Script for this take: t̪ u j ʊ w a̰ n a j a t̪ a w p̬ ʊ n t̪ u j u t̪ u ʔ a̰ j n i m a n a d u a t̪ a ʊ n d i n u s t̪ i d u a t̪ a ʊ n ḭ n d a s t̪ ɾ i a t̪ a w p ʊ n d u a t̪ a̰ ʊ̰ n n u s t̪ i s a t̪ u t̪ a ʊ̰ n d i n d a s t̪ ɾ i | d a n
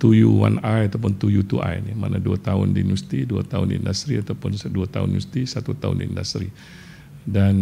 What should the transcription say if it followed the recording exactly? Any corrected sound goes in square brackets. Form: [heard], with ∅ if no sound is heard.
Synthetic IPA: t̪ u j [u] w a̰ n a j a t̪ a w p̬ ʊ n t̪ u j u t̪ u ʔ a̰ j n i m a n a d u a t̪ a ʊ n d i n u s t̪ i d u a t̪ a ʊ n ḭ n d a s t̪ ɾ i a t̪ a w p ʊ n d u a t̪ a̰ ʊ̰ n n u s t̪ i s a t̪ u t̪ a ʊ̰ n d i n d a s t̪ ɾ i | d a n

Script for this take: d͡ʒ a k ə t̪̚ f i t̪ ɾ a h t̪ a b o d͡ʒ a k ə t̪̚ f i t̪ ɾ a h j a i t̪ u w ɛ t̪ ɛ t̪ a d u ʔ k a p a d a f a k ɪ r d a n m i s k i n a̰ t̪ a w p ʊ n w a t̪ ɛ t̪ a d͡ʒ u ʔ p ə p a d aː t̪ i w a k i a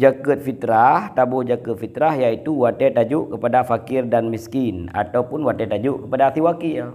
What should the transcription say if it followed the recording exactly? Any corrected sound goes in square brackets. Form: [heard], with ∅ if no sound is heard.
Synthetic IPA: d͡ʒ a k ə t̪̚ f i t̪ ɾ a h t̪ a b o d͡ʒ a k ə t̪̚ f i t̪ ɾ a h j a i t̪ u w [a] t̪ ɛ t̪ a [d͡ʒ] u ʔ k [ə] p a d a f a k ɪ r d a n m i s k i n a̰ t̪ a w p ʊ n w a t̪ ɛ t̪ a d͡ʒ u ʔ [k] ə p a d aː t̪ i w a k i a

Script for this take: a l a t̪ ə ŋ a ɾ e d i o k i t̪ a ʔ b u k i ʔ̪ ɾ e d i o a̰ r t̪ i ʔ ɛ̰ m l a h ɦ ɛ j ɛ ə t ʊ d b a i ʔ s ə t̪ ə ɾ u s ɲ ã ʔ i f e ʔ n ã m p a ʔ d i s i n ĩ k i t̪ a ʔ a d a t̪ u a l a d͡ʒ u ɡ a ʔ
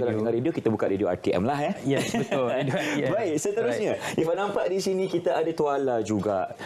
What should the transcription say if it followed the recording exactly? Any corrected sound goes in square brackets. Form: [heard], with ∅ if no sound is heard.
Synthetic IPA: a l a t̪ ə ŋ a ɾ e d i o k i t̪ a [∅] b u k [a] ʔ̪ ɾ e d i o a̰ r t̪ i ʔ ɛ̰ m l a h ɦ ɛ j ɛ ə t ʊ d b a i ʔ s ə t̪ ə ɾ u s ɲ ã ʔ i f [a] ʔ n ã m p a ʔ d i s i n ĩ k i t̪ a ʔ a d a t̪ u a l a d͡ʒ u ɡ a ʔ

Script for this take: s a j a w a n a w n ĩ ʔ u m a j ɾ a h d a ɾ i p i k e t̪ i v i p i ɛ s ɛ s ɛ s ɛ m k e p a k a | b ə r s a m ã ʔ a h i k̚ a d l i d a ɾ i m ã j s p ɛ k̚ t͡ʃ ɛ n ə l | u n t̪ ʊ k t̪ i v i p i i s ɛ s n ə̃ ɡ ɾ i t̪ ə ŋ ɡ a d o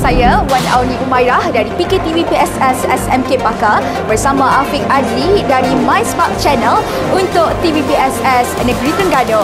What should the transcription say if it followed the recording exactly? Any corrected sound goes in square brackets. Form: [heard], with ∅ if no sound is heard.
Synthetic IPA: s a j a w a n a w n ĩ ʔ u m a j ɾ a h d a ɾ i p i k e t̪ i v i p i ɛ s ɛ s ɛ s ɛ m k e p a k a | b ə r s a m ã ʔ a [f] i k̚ a d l i d a ɾ i m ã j s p [a] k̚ t͡ʃ ɛ n ə l | u n t̪ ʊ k t̪ i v i p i [ɛ] s ɛ s n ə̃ ɡ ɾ i t̪ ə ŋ ɡ a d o

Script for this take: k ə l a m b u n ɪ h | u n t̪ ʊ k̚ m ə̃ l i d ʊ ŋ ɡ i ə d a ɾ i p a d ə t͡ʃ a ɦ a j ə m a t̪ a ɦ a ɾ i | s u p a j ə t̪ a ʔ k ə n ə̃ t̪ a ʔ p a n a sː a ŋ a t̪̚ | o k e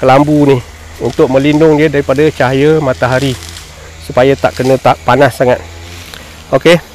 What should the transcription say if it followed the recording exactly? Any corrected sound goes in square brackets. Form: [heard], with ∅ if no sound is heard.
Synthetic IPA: k ə l a m b u n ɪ h | u n t̪ ʊ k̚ m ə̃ l i [n] ʊ ŋ [d] i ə d a ɾ i p a d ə t͡ʃ a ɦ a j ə m a t̪ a ɦ a ɾ i | s u p a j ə t̪ a ʔ k ə n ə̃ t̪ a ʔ p a n a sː a ŋ a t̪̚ | o k e

